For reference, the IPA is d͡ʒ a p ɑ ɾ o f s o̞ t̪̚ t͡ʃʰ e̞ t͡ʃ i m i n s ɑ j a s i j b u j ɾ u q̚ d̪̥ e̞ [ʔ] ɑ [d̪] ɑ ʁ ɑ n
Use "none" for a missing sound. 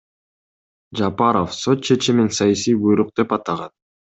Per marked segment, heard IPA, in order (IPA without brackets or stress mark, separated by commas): p, t̪